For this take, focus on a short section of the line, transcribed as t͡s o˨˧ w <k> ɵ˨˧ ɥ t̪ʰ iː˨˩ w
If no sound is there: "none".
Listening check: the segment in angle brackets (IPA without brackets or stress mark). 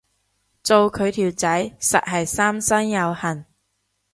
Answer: kʰ